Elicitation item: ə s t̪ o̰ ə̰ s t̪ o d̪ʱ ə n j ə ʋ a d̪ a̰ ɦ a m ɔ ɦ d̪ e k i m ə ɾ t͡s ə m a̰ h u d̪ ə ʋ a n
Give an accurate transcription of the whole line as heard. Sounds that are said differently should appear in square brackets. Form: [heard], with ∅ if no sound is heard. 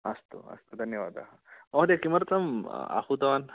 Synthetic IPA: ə s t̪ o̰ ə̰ s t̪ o d̪ʱ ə n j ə ʋ a d̪ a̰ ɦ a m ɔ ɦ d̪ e k i m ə ɾ t͡s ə m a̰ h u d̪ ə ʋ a n